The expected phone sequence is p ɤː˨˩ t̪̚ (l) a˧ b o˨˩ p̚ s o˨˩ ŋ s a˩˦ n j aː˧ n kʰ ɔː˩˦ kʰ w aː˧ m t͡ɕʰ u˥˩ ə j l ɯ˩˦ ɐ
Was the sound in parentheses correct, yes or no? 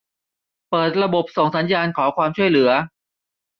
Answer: no